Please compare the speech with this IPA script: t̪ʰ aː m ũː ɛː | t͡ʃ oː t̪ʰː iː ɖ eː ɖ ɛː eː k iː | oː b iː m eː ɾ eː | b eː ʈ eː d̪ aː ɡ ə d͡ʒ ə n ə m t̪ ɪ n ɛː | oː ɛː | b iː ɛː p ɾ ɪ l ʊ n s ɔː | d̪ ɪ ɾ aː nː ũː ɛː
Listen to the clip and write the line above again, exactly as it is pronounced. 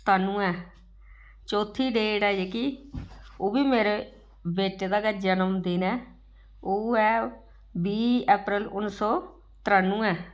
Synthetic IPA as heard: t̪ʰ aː n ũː ɛː | t͡ʃ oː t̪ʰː iː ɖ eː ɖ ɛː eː k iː | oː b iː m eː ɾ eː | b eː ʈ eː d̪ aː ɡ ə d͡ʒ ə n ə m d̪ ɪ n ɛː | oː ɛː | b iː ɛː p ɾ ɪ l ʊ n s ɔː | t̪ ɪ ɾ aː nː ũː ɛː

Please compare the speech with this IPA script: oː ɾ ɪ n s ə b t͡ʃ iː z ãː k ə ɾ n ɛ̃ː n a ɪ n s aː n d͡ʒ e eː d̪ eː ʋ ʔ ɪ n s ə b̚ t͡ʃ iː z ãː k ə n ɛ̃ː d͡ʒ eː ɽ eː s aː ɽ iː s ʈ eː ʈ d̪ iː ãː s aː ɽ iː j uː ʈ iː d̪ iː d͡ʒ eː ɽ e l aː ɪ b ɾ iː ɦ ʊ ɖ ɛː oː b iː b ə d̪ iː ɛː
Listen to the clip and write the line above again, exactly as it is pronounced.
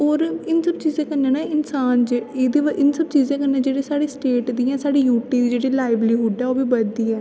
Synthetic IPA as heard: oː ɾ ɪ n s ə b t͡ʃ iː z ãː k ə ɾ n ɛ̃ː n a ɪ n s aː n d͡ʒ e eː d̪ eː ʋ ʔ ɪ n s ə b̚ t͡ʃ iː z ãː k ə n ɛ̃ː d͡ʒ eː ɽ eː s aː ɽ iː s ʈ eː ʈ d̪ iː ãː s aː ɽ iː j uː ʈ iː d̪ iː d͡ʒ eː ɽ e l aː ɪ b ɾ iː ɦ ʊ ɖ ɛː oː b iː b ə d̪ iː ɛː

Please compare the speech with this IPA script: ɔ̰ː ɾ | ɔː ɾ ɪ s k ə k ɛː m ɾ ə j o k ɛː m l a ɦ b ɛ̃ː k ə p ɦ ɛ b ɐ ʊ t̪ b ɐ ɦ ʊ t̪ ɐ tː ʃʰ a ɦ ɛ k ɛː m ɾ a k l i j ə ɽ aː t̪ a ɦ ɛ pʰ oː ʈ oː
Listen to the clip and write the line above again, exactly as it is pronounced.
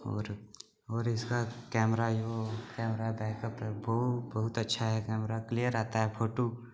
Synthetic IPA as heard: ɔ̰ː ɾ | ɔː ɾ ɪ s k a k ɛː m ɾ a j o k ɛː m ɾ a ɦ b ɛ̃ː k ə p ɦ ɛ b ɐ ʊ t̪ b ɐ ɦ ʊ t̪ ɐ tː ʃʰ a ɦ ɛ k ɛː m ɾ a k l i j ə ɾ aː t̪ a ɦ ɛ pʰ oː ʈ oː

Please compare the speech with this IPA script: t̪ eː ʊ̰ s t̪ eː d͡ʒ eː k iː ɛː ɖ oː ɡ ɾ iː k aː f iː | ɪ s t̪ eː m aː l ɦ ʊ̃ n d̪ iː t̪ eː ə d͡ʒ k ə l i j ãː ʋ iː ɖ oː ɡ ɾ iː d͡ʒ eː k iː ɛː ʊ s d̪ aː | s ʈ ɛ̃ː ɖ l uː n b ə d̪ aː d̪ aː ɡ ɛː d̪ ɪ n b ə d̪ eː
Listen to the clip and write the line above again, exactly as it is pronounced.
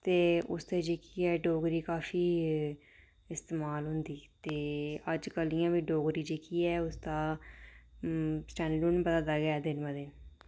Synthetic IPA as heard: t̪ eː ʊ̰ s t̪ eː d͡ʒ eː k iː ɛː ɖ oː ɡ ɾ iː k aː f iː | ɪ s t̪ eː m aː l ɦ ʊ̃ n d̪ iː t̪ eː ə d͡ʒ k ə l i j ãː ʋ iː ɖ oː ɡ ɾ iː d͡ʒ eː k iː ɛː ʊ s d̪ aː | s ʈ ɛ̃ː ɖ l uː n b ə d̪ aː d̪ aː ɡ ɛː d̪ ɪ n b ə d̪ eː

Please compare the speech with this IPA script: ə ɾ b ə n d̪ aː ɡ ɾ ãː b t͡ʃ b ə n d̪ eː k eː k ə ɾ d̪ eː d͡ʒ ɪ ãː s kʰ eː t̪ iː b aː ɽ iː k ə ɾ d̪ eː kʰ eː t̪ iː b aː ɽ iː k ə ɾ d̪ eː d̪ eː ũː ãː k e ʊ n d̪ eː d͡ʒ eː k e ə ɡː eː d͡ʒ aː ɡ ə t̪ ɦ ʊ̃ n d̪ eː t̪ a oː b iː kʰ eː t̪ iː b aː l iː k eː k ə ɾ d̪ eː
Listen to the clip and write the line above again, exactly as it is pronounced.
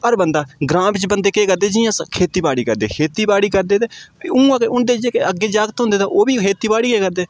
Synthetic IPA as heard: ə ɾ b ə n d̪ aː ɡ ɾ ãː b t͡ʃ b ə n d̪ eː k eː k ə ɾ d̪ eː d͡ʒ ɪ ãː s kʰ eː t̪ iː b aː ɽ iː k ə ɾ d̪ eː kʰ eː t̪ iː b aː ɽ iː k ə ɾ d̪ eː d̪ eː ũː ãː k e ʊ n d̪ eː d͡ʒ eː k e ə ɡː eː d͡ʒ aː ɡ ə t̪ ɦ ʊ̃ n d̪ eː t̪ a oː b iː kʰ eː t̪ iː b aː ɽ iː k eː k ə ɾ d̪ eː

